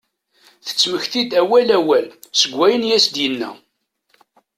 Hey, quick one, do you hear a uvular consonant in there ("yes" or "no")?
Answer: no